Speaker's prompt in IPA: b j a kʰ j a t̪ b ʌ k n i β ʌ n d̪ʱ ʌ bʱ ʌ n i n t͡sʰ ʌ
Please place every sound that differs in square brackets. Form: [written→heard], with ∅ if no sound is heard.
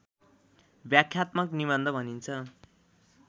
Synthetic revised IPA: b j a kʰ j a t̪ [b→m] ʌ k n i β ʌ n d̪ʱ ʌ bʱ ʌ n i n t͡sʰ ʌ